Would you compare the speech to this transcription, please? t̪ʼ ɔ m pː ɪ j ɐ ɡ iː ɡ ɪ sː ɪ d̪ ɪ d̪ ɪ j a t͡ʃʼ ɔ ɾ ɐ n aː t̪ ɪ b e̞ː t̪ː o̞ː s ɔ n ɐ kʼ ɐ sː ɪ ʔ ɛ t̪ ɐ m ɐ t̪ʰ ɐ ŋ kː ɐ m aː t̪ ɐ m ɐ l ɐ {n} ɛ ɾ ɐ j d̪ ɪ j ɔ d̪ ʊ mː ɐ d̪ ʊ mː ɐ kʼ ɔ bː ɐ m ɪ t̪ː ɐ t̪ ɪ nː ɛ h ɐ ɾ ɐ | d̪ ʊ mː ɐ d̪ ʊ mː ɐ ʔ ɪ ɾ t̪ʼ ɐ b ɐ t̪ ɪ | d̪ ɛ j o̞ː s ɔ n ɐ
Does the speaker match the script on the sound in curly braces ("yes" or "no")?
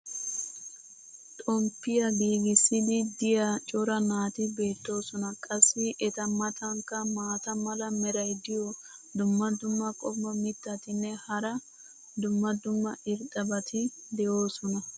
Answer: no